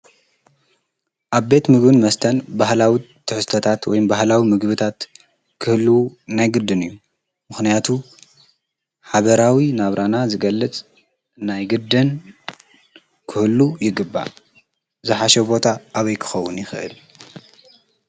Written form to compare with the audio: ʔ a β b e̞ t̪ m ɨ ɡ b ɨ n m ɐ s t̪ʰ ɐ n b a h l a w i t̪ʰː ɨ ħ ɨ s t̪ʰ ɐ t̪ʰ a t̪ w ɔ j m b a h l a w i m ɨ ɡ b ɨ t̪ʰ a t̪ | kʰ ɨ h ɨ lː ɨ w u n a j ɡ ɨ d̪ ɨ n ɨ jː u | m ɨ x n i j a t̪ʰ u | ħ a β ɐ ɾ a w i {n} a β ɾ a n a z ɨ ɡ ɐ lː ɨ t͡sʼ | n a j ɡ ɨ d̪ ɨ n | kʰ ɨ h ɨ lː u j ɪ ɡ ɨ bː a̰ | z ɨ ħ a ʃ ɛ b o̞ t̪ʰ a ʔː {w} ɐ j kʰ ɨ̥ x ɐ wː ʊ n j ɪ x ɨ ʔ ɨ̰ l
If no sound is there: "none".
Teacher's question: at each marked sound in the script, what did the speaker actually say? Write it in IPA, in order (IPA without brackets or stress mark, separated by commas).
n, β